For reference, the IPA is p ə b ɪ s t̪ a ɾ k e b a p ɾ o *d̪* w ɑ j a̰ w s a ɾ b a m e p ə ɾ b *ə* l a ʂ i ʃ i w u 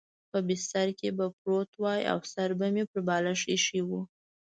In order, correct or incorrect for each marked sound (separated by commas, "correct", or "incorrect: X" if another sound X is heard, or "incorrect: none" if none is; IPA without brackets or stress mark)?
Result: incorrect: t̪, incorrect: ɑ